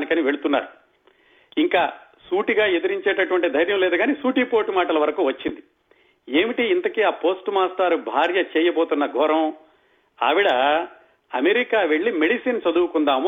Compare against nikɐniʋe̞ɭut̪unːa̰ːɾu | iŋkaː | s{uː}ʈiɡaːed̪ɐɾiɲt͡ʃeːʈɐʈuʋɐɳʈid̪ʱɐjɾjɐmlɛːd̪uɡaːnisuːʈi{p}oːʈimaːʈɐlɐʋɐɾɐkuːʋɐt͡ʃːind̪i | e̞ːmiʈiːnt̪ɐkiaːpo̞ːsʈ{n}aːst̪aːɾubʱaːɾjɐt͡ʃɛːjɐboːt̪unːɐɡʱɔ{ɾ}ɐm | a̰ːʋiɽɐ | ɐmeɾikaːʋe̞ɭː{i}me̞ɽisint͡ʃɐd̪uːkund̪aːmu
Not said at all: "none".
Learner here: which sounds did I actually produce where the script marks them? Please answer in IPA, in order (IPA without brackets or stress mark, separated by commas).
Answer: uː, p, m, ɾ, i